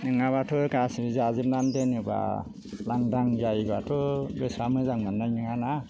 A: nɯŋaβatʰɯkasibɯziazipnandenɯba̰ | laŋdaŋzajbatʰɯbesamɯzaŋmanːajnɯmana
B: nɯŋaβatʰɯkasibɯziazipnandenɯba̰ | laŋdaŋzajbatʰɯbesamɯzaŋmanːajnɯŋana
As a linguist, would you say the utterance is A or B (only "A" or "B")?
B